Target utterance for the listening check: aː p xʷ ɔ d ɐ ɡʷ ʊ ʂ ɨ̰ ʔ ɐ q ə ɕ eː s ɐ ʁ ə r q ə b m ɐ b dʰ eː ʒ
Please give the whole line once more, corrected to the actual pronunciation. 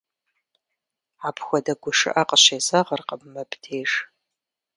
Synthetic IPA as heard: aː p xʷ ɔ d ɐ ɡʷ ʊ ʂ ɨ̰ ʔ ɐ q ə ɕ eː z ɐ ʁ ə r q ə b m ɐ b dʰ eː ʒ